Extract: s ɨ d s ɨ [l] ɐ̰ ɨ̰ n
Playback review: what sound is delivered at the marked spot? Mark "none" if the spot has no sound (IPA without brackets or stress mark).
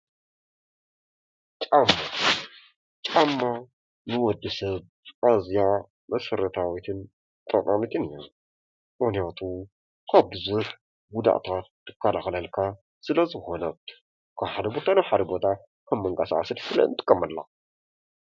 l